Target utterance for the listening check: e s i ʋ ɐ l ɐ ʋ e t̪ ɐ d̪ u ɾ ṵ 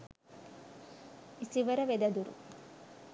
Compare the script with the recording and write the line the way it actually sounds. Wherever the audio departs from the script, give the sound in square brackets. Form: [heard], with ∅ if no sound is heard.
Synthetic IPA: [i] s i ʋ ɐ [ɾ] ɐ ʋ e [d̪] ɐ d̪ u ɾ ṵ